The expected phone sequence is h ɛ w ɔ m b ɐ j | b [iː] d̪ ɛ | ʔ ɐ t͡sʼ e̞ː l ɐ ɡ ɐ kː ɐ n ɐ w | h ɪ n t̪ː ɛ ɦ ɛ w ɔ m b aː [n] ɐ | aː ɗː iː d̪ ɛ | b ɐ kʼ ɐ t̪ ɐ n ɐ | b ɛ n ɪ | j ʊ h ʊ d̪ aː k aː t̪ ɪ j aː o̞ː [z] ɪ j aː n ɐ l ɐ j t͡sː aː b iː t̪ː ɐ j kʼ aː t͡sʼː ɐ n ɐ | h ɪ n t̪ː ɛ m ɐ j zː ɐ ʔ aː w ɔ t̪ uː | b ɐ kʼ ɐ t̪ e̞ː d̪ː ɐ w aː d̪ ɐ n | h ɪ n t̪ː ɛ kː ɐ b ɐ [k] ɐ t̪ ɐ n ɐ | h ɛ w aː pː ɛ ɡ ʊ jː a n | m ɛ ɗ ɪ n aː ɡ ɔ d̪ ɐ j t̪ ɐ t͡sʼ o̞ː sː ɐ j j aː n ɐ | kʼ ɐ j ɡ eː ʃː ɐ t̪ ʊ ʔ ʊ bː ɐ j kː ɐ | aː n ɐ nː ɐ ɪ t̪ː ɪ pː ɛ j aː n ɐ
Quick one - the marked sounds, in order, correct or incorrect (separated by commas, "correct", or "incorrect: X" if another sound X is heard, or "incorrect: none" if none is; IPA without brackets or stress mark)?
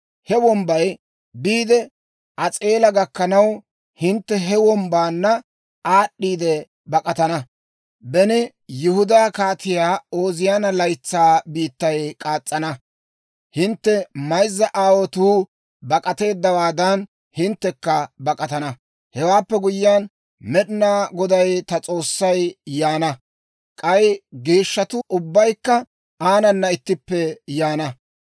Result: correct, incorrect: nː, correct, incorrect: kʼ